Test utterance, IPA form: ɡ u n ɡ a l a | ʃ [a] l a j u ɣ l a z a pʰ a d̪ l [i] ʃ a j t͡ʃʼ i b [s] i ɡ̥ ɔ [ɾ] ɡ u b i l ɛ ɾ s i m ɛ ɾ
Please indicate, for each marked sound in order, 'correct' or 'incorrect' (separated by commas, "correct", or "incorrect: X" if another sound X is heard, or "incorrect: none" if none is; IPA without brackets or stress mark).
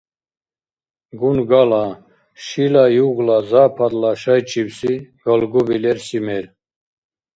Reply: incorrect: i, incorrect: a, correct, incorrect: l